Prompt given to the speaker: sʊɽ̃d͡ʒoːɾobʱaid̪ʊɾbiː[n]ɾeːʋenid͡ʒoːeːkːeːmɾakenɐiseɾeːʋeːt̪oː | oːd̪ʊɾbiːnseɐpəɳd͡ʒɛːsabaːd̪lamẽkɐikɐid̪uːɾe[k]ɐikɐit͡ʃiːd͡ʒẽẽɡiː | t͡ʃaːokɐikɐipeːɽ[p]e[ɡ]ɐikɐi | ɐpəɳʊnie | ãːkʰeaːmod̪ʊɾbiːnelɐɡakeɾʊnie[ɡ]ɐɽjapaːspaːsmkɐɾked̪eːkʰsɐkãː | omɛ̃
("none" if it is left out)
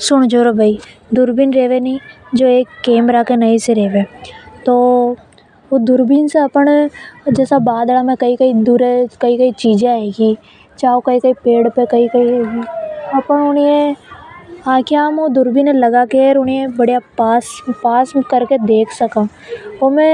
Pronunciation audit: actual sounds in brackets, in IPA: n, k, p, k, b

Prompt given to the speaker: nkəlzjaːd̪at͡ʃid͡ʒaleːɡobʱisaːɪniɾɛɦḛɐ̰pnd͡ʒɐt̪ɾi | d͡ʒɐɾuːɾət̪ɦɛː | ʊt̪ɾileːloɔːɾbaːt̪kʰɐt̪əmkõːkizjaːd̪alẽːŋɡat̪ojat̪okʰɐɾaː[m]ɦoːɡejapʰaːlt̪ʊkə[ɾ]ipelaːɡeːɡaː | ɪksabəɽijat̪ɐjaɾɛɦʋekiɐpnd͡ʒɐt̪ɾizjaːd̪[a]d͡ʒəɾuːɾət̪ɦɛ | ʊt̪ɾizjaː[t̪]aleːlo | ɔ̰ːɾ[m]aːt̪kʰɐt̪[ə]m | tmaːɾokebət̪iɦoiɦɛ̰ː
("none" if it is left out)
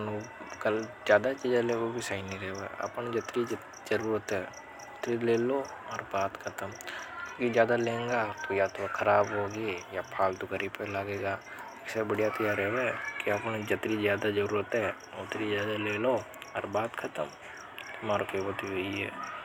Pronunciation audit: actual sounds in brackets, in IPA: b, ɾ, a, d̪, b, ə

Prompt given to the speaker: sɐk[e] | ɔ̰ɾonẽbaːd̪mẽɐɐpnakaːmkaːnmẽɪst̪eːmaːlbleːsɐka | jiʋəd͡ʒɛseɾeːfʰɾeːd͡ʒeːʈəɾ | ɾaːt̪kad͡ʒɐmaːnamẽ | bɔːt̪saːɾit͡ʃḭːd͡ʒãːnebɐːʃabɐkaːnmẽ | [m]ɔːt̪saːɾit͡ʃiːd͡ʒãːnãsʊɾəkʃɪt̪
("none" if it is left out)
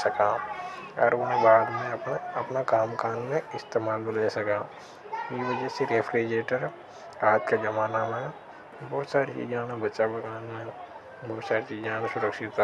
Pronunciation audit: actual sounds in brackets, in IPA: a, b

